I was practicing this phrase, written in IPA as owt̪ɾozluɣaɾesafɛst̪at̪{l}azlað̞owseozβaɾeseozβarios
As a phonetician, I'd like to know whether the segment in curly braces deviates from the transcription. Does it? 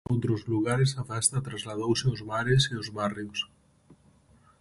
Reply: yes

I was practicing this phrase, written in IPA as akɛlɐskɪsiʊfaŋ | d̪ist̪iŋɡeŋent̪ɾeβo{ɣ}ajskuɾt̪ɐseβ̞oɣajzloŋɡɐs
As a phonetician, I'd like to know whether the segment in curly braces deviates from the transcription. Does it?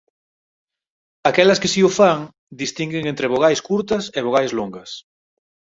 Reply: no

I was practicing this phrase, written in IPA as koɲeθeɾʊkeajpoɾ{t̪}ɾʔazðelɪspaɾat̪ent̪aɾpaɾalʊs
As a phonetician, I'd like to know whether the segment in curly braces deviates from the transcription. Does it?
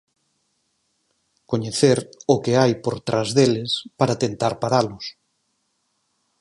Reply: no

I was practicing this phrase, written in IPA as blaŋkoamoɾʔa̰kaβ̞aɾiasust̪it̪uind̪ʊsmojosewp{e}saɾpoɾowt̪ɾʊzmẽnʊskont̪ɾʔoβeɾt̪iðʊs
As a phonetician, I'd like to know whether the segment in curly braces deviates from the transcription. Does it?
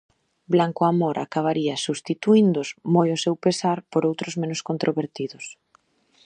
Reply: no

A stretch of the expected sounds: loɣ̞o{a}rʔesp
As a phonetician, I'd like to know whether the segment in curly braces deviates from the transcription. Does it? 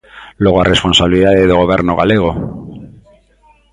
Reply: no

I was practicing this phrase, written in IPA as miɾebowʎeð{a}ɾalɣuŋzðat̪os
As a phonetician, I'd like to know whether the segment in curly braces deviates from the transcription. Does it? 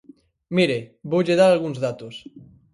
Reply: no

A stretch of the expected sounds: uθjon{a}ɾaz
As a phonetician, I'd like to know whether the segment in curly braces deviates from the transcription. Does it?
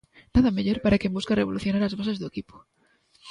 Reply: no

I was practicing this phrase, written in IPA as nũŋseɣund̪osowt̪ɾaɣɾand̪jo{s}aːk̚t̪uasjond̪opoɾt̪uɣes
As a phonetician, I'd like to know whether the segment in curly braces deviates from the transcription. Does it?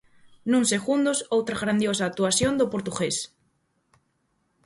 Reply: no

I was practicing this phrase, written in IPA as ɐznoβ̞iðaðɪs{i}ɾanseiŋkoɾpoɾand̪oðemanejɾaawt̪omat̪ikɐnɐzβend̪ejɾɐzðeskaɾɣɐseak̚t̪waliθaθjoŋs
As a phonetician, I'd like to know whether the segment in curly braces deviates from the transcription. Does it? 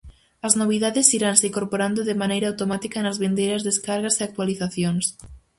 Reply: no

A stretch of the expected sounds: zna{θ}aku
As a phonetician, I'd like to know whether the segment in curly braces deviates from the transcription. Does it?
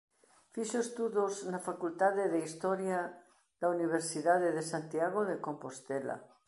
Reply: yes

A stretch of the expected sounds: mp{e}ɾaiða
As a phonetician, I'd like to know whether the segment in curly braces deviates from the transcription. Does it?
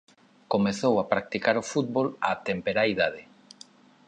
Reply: no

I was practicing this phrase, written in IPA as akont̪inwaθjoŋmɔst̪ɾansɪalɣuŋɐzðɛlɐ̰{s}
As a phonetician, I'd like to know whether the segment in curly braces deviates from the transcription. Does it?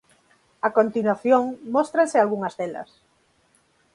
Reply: no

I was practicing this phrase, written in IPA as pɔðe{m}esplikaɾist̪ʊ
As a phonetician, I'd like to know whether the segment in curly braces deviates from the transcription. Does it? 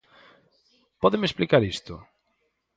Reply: no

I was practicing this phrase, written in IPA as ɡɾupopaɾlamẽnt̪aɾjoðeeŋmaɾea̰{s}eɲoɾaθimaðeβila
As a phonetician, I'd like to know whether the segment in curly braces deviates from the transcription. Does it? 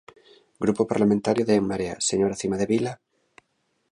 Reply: no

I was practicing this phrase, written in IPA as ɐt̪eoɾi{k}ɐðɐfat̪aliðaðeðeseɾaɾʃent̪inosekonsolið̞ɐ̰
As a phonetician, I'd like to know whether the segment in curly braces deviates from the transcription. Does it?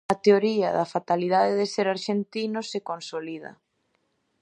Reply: yes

